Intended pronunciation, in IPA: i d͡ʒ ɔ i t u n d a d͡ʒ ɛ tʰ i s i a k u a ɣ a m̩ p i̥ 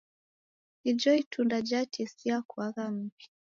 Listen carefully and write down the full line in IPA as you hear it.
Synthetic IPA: i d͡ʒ ɔ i t u n d a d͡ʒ a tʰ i s i a k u a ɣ a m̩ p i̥